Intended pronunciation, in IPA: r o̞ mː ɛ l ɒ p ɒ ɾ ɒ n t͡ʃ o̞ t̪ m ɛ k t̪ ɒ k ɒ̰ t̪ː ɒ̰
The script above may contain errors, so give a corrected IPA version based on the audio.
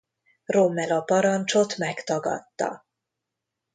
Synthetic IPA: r o̞ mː ɛ l ɒ p ɒ ɾ ɒ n t͡ʃ o̞ t̪ m ɛ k t̪ ɒ ɡ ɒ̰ t̪ː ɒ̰